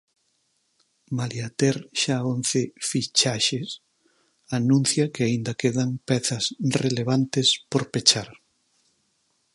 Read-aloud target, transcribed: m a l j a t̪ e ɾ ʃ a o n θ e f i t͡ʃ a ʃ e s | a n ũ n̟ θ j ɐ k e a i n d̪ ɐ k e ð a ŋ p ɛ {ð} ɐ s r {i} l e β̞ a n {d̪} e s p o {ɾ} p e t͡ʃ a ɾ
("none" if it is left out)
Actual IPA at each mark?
θ, e, t̪, ɾ

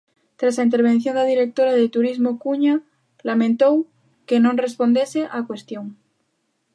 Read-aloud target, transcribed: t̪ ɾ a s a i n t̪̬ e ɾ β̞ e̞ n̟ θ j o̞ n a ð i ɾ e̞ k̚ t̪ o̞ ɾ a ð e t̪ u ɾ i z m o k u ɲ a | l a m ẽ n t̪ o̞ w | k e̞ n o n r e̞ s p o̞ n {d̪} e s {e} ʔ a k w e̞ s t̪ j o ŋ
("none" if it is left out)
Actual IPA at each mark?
d̪, e

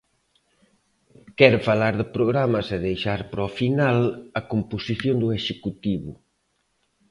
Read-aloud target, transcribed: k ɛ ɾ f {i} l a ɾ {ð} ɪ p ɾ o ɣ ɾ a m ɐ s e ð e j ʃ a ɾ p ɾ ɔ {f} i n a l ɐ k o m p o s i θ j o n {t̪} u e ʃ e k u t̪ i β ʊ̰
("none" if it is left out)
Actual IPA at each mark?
a, ð, f, d̪

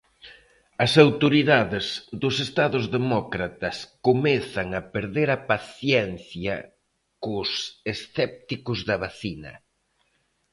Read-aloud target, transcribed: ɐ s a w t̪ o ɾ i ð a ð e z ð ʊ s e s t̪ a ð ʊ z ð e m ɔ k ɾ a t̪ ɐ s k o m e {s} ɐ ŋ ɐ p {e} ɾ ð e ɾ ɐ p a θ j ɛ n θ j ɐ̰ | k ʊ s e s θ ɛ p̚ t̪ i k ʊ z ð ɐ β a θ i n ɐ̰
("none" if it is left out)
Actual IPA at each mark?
θ, e

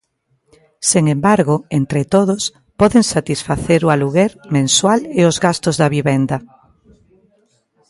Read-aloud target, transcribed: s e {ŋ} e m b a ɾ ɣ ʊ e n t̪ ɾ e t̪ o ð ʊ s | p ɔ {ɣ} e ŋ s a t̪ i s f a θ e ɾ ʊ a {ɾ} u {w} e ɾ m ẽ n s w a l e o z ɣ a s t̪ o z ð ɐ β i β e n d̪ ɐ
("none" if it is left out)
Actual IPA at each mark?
ŋ, ð, l, ɣ

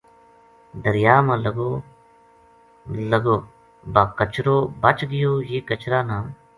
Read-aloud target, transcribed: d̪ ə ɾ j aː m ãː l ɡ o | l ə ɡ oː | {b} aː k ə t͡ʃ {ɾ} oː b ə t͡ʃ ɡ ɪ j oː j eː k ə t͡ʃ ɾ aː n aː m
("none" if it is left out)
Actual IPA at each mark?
b, ɾ

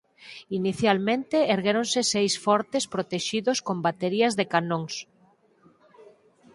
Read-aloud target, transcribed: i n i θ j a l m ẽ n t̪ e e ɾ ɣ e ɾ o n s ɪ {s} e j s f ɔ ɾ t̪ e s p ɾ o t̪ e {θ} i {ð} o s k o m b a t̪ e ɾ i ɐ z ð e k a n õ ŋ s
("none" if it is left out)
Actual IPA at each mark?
s, ʃ, ð

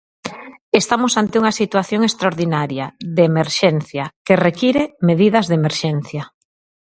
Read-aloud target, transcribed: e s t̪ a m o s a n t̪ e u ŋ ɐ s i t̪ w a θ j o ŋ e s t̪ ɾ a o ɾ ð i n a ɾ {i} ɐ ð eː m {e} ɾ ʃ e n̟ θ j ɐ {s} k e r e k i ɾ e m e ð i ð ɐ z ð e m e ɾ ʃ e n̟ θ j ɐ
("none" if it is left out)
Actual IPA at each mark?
j, e, none

